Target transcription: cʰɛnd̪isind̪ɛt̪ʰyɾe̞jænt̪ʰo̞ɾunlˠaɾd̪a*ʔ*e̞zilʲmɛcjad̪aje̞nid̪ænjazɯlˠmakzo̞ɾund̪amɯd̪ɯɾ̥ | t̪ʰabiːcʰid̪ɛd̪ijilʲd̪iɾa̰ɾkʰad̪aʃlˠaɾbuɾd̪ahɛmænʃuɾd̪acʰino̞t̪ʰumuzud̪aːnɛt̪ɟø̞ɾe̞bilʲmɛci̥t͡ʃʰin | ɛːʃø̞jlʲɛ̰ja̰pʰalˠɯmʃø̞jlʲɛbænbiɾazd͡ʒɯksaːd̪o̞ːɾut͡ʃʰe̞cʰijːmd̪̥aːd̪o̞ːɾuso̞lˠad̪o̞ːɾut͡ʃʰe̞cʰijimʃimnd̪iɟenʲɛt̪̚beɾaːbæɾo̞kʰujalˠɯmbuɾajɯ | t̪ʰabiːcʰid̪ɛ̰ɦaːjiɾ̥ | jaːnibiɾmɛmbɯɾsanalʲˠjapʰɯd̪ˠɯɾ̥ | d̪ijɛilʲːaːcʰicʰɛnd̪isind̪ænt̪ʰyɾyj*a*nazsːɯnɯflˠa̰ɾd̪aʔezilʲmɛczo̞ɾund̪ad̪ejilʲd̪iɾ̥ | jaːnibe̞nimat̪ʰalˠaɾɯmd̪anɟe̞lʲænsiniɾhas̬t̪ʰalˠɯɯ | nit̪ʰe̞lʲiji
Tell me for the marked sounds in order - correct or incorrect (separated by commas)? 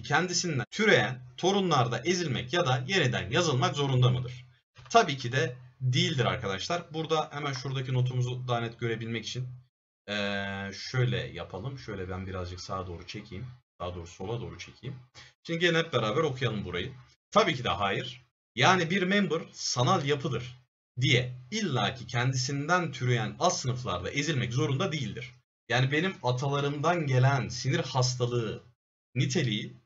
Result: correct, incorrect